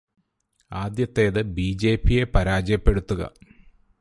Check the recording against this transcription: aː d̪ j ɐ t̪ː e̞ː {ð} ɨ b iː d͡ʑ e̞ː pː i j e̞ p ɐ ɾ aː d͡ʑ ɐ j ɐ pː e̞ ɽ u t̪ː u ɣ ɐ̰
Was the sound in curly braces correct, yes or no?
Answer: yes